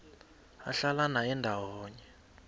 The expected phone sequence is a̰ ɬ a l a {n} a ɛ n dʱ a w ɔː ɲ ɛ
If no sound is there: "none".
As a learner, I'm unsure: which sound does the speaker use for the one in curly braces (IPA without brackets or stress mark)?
n